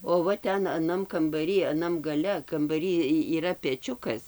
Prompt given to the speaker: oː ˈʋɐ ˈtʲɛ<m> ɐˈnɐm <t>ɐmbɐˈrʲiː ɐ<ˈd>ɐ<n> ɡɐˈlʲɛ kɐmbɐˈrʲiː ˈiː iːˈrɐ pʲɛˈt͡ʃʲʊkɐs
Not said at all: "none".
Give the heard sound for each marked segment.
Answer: n, k, n, m

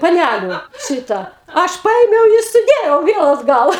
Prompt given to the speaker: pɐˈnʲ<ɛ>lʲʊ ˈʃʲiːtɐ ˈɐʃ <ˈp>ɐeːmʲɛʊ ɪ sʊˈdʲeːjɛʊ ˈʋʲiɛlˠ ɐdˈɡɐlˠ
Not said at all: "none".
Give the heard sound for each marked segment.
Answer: æ, p

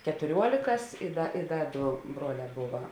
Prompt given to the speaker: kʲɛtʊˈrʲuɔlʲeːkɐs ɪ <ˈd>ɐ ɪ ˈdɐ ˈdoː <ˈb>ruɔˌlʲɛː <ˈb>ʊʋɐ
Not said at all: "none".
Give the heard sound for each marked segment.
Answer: d, b, b

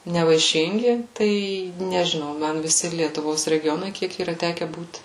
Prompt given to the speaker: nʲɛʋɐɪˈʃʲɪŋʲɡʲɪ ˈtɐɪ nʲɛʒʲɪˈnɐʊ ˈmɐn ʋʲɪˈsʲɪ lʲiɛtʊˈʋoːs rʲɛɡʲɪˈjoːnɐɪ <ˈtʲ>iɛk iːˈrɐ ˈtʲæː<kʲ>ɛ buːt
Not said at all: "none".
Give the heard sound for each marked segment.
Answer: kʲ, kʲ

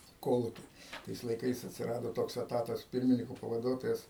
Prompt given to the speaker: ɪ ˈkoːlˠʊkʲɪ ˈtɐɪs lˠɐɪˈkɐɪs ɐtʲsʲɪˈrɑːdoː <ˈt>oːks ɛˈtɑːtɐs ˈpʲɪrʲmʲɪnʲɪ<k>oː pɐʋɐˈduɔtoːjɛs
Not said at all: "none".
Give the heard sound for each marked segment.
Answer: t, k

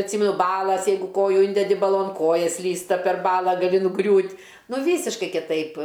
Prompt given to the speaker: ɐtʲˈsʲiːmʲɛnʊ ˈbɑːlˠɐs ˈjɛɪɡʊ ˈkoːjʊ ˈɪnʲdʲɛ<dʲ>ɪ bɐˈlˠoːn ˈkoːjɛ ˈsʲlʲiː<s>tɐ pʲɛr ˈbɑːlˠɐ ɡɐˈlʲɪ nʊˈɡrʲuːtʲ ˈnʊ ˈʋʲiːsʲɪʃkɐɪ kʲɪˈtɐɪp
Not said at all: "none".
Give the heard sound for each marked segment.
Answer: dʲ, s

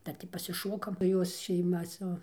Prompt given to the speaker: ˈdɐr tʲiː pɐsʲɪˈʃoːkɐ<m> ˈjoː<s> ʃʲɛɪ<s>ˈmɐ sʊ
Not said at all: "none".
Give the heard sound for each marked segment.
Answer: m, s, none

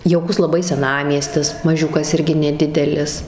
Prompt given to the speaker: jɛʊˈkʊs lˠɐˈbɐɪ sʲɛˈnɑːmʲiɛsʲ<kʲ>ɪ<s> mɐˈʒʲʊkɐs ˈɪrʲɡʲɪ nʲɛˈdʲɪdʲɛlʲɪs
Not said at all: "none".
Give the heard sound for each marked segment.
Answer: tʲ, s

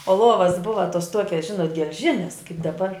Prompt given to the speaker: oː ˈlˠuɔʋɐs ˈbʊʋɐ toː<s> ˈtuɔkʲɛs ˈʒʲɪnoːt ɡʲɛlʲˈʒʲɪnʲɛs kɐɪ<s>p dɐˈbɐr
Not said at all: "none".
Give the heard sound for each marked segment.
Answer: s, none

